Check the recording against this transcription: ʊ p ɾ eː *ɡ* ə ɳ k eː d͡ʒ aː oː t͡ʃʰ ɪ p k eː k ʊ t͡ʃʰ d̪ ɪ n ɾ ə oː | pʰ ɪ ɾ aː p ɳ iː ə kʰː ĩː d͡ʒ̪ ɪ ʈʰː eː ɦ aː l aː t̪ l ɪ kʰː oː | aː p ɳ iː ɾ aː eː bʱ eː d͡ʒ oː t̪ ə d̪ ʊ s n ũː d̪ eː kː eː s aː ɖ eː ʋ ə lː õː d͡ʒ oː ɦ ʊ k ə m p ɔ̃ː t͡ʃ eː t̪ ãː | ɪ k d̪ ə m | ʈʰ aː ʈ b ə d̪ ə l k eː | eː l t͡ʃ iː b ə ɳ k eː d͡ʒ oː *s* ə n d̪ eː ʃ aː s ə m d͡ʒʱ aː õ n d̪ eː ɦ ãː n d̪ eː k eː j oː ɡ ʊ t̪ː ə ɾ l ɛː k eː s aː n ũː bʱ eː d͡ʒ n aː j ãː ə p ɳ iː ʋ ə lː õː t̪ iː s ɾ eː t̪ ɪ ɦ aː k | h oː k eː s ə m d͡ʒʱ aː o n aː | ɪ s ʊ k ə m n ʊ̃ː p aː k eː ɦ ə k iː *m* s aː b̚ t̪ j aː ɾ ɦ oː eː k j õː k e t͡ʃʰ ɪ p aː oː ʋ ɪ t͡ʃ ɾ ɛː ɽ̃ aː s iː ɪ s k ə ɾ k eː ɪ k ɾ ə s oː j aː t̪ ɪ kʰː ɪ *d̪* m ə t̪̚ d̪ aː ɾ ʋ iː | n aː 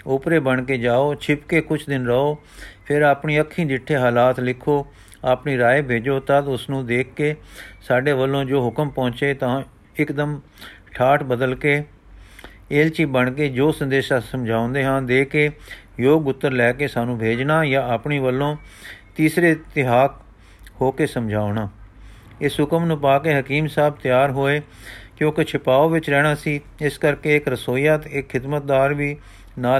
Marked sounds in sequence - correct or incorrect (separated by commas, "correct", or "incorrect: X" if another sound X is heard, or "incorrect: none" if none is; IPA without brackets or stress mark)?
incorrect: b, correct, correct, correct